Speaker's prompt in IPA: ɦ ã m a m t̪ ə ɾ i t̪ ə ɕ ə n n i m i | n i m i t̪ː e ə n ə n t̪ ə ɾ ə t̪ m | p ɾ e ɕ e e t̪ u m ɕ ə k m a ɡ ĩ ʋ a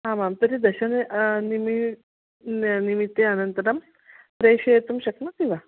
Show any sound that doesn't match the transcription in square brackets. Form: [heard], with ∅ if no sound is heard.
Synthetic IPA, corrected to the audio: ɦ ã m a m t̪ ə ɾ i [d̪] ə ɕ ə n n i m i | n i m i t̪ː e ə n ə n t̪ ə ɾ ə [∅] m | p ɾ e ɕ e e t̪ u m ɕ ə k [n] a [k] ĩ ʋ a

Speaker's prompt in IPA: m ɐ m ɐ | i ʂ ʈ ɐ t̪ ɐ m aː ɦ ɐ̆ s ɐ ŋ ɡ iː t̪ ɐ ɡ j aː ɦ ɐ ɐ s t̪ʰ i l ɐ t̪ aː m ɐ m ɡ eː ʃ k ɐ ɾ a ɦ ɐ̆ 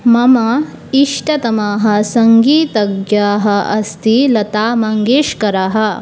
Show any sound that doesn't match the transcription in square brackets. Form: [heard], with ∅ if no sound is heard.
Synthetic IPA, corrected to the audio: m ɐ m ɐ | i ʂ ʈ ɐ t̪ ɐ m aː ɦ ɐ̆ s ɐ ŋ ɡ iː t̪ ɐ ɡ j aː ɦ ɐ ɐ s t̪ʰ i l ɐ t̪ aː m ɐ [ŋ] ɡ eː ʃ k ɐ ɾ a ɦ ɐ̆

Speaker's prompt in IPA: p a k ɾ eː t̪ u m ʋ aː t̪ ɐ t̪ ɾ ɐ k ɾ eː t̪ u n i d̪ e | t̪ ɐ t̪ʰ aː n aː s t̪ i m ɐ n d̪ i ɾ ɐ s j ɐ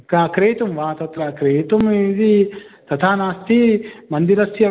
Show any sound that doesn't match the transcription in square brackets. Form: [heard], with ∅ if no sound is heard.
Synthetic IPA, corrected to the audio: [k] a k ɾ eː t̪ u m ʋ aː t̪ ɐ t̪ ɾ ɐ k ɾ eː t̪ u [m] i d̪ [i] | t̪ ɐ t̪ʰ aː n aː s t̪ i m ɐ n d̪ i ɾ ɐ s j ɐ

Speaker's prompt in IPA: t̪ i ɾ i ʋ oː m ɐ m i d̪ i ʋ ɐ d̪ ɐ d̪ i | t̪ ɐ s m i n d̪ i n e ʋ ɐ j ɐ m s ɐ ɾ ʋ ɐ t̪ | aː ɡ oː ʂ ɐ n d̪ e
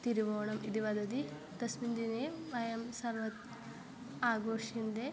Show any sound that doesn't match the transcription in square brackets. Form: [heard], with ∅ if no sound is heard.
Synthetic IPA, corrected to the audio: t̪ i ɾ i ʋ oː [ɳ] ɐ m i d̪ i ʋ ɐ d̪ ɐ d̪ i | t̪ ɐ s m i n d̪ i n e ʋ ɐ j ɐ m s ɐ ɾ ʋ ɐ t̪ | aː ɡ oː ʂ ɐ n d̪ e

